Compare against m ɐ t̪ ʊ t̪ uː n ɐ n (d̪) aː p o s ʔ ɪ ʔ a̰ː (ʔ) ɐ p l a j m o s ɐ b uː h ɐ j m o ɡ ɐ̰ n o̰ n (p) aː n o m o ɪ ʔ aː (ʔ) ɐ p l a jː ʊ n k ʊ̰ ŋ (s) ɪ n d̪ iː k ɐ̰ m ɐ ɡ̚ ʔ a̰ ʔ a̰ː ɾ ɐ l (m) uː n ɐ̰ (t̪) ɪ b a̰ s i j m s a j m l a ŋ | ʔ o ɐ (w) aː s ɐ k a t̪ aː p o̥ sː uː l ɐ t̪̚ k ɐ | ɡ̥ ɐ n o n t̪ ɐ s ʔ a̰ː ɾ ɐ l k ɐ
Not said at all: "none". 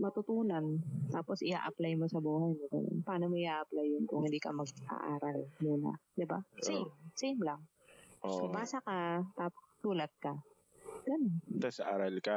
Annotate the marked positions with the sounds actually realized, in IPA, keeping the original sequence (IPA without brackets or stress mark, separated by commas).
t̪, ʔ, p, ʔ, h, m, d̪, b